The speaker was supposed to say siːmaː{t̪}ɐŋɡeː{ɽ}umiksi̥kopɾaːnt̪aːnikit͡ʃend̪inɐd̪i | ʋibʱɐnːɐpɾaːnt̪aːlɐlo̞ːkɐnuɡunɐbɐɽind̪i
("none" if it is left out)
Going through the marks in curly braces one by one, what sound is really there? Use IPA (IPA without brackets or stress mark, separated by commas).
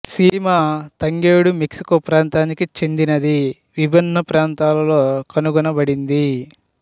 t̪, ɽ